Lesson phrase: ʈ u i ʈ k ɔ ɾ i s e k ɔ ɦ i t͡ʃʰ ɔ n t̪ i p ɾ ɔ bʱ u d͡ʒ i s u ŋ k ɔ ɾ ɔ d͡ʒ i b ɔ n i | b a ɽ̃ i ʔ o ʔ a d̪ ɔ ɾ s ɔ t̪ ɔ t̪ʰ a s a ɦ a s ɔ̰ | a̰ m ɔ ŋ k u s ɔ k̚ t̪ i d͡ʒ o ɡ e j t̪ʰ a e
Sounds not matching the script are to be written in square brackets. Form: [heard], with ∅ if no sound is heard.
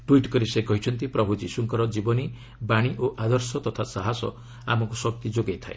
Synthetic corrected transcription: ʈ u i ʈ k ɔ ɾ i s e k ɔ ɦ i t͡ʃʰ ɔ n t̪ i p ɾ ɔ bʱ u d͡ʒ i s u ŋ k ɔ ɾ ɔ d͡ʒ i b ɔ n i | b a ɽ̃ i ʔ o ʔ a d̪ ɔ ɾ s ɔ t̪ ɔ t̪ʰ a s a ɦ a s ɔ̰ | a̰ m ɔ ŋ k u s ɔ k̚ t̪ i d͡ʒ o ɡ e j t̪ʰ a e